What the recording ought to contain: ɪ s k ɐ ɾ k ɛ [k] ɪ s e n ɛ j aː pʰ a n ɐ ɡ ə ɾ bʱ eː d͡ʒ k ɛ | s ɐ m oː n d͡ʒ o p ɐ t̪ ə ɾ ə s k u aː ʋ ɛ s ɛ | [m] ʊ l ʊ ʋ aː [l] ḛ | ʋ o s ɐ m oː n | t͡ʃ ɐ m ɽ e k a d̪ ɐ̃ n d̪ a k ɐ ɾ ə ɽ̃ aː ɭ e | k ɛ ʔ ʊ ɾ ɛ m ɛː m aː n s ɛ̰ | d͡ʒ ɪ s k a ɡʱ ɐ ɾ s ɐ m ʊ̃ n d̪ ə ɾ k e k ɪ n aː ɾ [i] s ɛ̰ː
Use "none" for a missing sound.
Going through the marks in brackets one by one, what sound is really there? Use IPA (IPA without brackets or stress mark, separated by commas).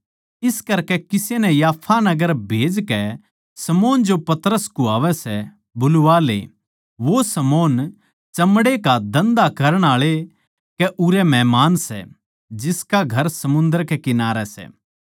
k, b, l, ɛ